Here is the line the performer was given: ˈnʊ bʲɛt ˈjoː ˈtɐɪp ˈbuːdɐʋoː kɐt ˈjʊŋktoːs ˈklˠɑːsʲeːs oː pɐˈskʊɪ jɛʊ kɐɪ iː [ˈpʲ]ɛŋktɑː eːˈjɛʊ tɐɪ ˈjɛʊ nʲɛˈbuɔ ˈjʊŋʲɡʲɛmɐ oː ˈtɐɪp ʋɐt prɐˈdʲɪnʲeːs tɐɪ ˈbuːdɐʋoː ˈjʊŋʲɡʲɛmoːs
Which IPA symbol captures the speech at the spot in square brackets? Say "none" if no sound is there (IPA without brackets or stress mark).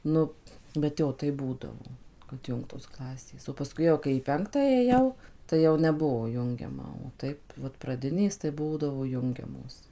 pʲ